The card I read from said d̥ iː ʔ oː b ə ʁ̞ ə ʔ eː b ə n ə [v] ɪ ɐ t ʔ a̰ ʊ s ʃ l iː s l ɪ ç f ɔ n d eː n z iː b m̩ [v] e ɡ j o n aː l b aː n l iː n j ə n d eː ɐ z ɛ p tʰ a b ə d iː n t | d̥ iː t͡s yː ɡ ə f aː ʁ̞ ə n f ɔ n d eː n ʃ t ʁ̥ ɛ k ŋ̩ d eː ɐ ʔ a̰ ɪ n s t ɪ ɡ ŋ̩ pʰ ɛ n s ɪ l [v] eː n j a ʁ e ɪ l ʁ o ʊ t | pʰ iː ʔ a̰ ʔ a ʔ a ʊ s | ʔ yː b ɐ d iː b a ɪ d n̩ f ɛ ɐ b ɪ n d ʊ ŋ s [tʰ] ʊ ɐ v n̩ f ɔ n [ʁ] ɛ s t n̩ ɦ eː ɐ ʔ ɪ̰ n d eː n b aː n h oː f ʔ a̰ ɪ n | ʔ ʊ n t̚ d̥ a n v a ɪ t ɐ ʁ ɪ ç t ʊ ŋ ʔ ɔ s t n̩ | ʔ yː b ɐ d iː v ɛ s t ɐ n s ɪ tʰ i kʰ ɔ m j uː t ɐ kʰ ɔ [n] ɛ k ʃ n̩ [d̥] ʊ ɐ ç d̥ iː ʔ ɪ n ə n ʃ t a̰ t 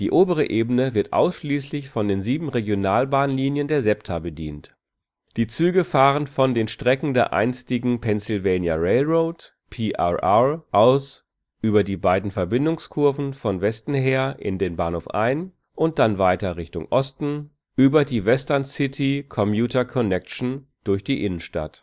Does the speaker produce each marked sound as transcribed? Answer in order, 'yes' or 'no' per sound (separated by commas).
yes, no, yes, no, no, yes, yes